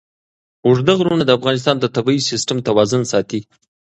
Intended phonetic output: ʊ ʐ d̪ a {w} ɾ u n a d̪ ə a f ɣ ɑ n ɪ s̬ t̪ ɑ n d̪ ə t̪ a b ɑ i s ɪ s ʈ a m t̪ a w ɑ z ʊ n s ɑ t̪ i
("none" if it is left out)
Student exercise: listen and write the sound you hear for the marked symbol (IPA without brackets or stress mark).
ɣ